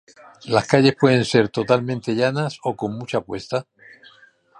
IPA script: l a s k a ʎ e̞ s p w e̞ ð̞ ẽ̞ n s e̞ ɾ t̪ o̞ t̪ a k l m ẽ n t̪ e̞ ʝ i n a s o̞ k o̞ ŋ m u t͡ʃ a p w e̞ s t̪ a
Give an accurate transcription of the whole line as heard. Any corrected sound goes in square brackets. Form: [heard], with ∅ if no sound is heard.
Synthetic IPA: l a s k a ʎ e̞ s p w e̞ ð̞ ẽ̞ n s e̞ ɾ t̪ o̞ t̪ a [∅] l m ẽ n t̪ e̞ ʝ [a] n a s o̞ k o̞ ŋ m u t͡ʃ a p w e̞ s t̪ a